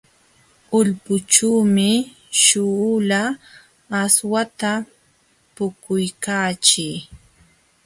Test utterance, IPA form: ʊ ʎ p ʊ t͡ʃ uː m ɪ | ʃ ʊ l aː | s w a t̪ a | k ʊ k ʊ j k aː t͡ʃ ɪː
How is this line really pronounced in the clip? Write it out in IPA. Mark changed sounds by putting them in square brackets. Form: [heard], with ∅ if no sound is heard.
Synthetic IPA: ʊ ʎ p ʊ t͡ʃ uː m ɪ | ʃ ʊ l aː | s w a t̪ a | [p] ʊ k ʊ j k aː t͡ʃ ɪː